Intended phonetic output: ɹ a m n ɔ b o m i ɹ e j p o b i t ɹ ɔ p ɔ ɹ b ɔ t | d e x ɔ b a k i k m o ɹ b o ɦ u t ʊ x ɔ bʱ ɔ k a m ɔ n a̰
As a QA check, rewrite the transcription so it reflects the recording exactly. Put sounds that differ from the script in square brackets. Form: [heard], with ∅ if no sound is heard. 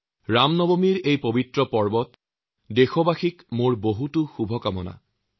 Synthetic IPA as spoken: ɹ a m n ɔ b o m i ɹ e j p o b i t ɹ ɔ p ɔ ɹ b ɔ t | d e x ɔ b a [x] i k m o ɹ b o ɦ u t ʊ x [u] bʱ ɔ k a m ɔ n a̰